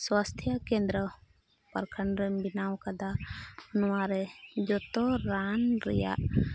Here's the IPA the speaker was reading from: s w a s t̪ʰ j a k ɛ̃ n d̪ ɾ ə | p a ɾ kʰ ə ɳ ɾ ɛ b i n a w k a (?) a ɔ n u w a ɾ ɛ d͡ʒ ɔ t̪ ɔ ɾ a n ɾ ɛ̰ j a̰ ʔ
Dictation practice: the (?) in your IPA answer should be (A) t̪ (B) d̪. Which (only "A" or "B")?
B